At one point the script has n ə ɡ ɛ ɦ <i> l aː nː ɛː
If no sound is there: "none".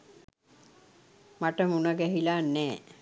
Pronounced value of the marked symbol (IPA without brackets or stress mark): i